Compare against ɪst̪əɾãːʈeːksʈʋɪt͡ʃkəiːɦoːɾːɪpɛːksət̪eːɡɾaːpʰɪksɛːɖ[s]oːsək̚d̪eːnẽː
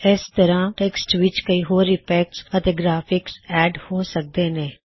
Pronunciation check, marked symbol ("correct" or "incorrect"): incorrect